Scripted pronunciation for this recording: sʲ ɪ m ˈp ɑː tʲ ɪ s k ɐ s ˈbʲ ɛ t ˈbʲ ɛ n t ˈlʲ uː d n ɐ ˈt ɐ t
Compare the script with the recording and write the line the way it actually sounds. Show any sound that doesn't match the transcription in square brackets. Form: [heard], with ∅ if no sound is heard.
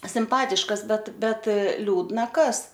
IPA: sʲ ɪ m ˈp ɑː tʲ ɪ [ʃ] k ɐ s ˈbʲ ɛ t ˈbʲ ɛ [∅] t ˈlʲ uː d n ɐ [ˈk] ɐ [s]